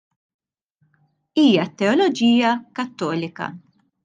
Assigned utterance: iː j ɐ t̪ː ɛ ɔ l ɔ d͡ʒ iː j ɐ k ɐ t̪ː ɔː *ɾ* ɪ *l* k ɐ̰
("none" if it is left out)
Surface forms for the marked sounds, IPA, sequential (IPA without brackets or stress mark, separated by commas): l, none